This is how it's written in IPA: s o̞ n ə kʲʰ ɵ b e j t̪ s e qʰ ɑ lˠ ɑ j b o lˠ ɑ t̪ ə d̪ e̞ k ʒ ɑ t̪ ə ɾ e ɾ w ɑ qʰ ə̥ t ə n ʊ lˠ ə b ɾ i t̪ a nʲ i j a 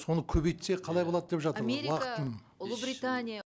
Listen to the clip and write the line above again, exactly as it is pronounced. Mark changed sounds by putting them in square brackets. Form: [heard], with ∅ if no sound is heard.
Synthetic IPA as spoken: s o̞ n ə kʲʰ ɵ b e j t̪ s e qʰ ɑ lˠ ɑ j b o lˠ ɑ [d̪] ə d̪ e̞ [p] ʒ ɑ t̪ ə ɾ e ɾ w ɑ [q] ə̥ t ə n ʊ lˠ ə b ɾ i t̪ a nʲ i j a